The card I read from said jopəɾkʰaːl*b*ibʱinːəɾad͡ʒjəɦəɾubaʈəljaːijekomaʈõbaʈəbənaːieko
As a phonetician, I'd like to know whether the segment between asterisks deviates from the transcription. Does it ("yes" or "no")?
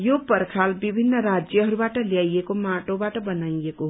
no